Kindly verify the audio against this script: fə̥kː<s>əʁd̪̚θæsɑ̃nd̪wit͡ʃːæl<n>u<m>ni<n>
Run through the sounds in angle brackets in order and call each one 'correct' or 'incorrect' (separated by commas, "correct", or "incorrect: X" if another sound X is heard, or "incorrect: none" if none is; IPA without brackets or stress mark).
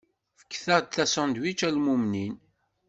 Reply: incorrect: θ, incorrect: m, correct, correct